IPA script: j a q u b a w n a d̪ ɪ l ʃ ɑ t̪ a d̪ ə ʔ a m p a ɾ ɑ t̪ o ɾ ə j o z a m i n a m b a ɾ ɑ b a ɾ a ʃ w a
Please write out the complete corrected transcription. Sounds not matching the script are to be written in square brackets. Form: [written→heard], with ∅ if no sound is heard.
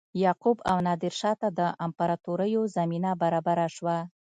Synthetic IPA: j [a→ɑ] q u b a w n [a→ɑ] d̪ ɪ [l→ɾ] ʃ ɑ t̪ a d̪ ə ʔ a m p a ɾ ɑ t̪ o ɾ ə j o z a m i n a [m→∅] b a ɾ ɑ b a ɾ a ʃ w a